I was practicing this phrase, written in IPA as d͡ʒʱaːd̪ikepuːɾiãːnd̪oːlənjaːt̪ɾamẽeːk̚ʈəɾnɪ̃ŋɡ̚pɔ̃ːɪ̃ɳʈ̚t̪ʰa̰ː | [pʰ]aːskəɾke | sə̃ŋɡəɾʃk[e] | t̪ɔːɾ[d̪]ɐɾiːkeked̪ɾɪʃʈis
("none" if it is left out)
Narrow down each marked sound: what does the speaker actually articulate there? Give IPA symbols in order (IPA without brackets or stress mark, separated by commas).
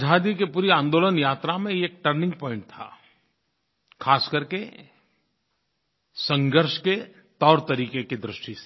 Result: kʰ, e, t̪